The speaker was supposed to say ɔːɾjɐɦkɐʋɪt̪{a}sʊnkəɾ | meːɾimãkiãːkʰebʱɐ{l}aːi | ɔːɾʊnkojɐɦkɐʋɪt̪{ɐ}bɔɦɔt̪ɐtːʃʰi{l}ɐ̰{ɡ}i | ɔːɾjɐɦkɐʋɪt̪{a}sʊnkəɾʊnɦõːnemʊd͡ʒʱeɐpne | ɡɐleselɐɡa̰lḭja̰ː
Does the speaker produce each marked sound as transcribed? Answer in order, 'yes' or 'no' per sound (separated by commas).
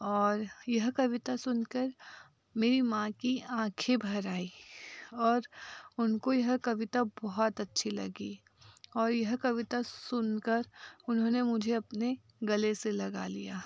yes, no, no, yes, yes, yes